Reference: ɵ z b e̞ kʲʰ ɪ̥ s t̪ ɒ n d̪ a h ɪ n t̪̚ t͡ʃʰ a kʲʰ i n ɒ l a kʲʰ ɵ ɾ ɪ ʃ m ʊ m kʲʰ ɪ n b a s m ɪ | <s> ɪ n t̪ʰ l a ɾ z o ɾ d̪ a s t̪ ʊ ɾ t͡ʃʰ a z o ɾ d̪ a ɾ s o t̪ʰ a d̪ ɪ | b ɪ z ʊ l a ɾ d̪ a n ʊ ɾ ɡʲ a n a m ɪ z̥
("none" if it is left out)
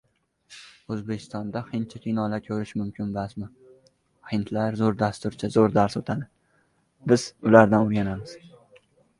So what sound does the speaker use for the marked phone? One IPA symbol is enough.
h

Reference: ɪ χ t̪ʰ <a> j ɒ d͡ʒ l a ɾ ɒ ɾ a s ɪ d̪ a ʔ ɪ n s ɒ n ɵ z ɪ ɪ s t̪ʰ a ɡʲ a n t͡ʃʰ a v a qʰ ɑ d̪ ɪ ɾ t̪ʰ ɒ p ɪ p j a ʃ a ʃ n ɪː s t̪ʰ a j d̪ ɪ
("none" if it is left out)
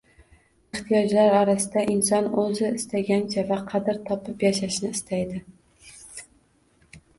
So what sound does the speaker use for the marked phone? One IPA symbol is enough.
i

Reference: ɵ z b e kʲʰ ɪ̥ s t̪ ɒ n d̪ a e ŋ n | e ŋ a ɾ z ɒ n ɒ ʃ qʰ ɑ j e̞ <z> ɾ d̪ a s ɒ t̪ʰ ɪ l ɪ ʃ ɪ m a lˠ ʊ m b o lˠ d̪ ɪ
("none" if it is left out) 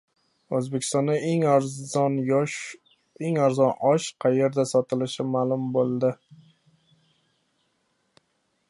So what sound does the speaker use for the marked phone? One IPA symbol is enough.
none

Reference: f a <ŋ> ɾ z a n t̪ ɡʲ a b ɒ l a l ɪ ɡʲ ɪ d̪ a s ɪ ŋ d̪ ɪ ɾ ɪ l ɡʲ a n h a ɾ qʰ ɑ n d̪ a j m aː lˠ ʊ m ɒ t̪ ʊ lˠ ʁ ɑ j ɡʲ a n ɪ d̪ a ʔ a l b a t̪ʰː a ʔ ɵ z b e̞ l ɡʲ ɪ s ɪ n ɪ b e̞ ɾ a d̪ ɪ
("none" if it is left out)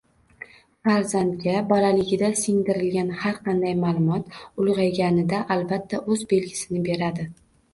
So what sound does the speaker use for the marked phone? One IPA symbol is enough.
none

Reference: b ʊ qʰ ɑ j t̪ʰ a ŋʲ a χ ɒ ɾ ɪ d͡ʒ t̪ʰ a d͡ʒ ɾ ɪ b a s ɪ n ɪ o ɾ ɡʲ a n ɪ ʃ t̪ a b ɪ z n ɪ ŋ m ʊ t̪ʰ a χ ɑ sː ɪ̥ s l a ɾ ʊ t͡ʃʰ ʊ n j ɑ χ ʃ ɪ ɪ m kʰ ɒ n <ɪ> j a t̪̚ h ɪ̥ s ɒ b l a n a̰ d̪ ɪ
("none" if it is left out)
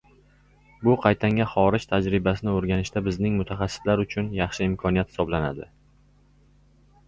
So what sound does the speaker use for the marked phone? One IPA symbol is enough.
i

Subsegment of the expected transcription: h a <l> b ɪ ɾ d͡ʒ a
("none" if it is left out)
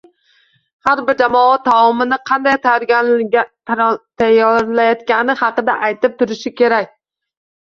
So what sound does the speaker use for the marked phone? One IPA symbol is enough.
ɾ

